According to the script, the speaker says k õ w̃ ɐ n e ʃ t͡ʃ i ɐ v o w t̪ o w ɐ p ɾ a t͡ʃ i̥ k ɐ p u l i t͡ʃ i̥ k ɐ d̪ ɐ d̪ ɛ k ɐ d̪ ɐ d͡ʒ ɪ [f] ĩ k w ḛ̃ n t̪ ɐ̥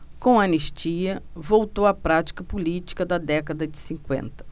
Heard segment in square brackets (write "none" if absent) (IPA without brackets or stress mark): s